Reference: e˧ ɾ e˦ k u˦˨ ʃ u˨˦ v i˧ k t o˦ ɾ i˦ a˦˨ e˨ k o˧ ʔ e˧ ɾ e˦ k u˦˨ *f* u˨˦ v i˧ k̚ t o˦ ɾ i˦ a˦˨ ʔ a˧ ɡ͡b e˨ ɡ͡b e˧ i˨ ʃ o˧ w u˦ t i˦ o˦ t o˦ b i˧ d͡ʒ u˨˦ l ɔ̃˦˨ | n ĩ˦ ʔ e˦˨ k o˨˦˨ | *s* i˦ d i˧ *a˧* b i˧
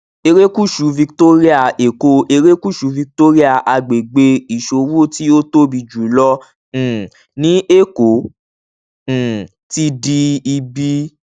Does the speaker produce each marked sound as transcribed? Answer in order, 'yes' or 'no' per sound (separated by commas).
no, no, no